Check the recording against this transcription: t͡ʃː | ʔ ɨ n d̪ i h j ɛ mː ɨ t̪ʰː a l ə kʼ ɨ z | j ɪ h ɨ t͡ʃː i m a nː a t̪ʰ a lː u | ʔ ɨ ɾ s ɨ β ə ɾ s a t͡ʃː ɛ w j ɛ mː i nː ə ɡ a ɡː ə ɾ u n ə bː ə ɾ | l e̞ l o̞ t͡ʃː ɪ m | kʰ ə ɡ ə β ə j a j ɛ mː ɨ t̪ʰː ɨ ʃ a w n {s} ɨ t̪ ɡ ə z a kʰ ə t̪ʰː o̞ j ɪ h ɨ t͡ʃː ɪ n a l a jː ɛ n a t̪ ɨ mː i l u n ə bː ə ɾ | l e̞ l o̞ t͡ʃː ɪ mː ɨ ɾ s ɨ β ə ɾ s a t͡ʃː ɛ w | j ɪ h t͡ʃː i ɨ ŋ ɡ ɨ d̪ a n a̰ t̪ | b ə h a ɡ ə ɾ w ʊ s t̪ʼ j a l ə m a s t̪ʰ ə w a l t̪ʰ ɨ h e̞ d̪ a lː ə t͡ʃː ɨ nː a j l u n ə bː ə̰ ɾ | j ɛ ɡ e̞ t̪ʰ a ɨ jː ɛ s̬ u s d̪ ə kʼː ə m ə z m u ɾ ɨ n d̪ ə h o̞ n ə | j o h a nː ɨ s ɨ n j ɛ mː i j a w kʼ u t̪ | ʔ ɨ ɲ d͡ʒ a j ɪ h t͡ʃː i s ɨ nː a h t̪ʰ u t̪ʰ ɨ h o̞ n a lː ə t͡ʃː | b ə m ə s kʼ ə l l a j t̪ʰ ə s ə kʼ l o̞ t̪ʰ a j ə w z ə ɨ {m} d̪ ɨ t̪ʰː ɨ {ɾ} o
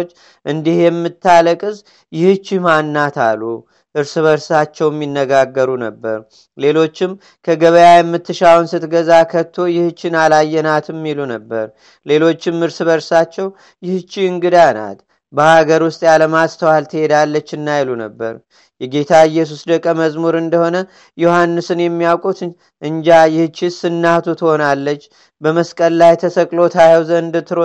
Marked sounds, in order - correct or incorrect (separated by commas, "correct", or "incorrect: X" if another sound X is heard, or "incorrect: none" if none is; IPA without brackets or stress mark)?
correct, incorrect: n, correct